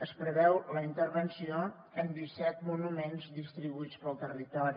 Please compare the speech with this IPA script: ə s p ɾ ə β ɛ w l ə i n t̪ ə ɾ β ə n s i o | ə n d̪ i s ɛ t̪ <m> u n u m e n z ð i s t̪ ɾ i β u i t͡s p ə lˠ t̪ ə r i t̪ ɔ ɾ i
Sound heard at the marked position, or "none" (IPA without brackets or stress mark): m